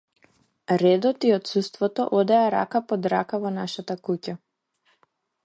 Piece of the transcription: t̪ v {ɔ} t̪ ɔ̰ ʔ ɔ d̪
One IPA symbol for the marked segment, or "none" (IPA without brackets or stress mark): ɔ